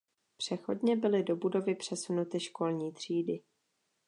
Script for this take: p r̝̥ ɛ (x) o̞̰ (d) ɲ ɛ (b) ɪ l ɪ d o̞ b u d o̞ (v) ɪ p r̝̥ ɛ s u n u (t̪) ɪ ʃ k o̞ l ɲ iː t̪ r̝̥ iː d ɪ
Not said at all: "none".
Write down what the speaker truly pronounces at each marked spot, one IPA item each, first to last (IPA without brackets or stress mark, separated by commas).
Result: x, d, b, v, t̪